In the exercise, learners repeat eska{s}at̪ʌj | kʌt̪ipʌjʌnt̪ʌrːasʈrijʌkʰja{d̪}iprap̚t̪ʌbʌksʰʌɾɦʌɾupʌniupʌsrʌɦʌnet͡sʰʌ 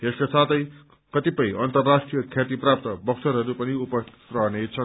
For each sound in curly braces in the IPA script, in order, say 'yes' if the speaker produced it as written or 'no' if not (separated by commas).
yes, no